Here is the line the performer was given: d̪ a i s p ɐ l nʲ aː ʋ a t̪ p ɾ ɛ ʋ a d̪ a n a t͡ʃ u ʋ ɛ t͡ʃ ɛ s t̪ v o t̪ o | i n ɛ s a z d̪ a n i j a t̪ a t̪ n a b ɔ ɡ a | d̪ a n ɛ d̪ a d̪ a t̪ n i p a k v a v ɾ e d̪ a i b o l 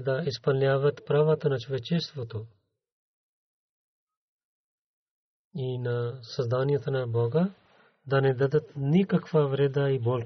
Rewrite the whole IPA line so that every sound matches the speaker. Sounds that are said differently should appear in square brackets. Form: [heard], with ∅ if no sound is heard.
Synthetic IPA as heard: d̪ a i s p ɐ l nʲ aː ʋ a t̪ p ɾ [a] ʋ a [t̪] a n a t͡ʃ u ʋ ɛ t͡ʃ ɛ s t̪ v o t̪ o | i n [a] s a z d̪ a n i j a t̪ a [∅] n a b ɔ ɡ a | d̪ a n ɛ d̪ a d̪ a t̪ n i [k] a k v a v ɾ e d̪ a i b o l